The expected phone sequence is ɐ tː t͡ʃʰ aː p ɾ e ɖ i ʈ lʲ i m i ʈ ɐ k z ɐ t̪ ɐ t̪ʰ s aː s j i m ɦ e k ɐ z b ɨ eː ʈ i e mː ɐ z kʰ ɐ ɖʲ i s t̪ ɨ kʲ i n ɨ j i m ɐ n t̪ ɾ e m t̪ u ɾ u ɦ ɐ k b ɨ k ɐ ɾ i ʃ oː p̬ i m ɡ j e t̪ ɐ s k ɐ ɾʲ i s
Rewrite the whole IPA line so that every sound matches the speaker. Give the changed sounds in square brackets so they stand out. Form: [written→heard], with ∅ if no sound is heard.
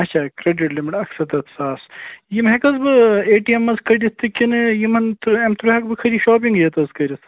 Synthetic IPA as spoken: ɐ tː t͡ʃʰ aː [p→k] ɾ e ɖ i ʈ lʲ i m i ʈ ɐ k [z→s] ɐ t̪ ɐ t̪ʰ s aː s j i m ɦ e k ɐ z b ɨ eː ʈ i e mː ɐ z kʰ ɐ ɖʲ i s t̪ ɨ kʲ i n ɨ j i m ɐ n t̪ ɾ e m t̪ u ɾ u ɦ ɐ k b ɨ [k→kʰ] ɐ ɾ i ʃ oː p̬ i [m→ŋ] ɡ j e t̪ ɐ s k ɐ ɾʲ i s